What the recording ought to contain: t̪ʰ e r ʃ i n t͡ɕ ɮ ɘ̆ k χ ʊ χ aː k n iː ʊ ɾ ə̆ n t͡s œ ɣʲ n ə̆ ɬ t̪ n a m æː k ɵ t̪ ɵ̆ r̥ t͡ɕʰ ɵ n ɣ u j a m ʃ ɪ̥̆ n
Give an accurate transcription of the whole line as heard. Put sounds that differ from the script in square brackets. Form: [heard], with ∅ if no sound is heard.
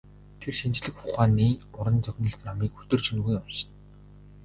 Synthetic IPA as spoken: t̪ʰ e r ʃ i n t͡ɕ ɮ ɘ̆ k χ ʊ χ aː [∅] n iː ʊ ɾ ə̆ n t͡s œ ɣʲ n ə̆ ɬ t̪ n a m [iː] k ɵ t̪ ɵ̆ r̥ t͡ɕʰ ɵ n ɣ u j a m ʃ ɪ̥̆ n